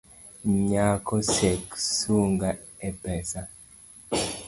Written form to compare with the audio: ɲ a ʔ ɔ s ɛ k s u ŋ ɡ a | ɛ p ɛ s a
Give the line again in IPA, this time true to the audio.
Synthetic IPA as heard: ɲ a k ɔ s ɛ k s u ŋ ɡ a | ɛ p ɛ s a